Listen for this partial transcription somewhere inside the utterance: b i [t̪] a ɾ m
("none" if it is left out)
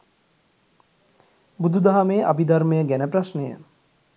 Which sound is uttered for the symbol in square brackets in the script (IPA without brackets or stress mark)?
d̪